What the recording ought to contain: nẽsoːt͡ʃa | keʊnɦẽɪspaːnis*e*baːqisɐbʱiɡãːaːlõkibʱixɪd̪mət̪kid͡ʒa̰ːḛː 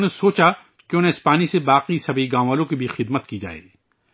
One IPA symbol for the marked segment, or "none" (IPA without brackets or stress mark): e